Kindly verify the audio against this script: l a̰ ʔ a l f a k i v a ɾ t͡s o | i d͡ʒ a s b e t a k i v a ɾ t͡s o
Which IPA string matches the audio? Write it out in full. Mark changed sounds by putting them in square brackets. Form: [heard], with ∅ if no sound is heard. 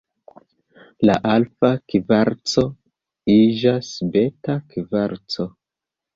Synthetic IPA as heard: l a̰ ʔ a l f a k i v a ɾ t͡s o | i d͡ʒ a s b e t a k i v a ɾ t͡s o